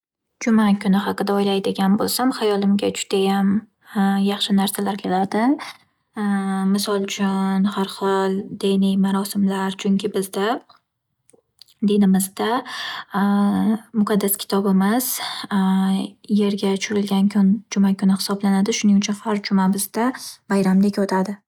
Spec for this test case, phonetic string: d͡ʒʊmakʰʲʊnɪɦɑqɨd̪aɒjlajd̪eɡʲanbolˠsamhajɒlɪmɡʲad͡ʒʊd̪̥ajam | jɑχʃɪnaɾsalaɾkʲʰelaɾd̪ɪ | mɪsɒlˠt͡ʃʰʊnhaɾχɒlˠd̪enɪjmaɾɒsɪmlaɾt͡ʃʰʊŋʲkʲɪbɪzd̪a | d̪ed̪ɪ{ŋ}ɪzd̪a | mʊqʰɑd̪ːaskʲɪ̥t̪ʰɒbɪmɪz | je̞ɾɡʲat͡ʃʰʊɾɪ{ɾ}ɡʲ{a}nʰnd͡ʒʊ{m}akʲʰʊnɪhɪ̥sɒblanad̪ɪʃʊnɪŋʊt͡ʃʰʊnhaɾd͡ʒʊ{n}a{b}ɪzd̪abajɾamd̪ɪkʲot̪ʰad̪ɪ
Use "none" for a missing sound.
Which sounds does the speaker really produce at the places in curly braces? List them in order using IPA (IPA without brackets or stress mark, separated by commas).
m, l, a, m, m, b